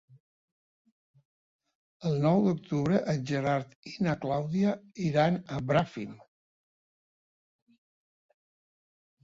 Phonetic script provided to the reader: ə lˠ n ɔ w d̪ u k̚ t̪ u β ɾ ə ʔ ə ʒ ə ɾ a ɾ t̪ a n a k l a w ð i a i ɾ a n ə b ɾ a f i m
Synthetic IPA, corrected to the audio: ə lˠ n ɔ w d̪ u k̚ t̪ u β ɾ ə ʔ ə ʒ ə ɾ a ɾ t̪ i n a k l a w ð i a i ɾ a n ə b ɾ a f i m